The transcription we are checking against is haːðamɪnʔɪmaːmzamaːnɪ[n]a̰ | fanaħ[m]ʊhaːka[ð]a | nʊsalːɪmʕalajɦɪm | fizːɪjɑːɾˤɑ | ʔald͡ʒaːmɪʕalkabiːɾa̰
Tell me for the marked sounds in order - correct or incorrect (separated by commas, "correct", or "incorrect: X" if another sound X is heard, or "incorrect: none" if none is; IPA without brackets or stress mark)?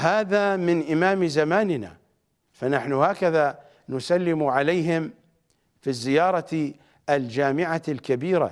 correct, incorrect: n, correct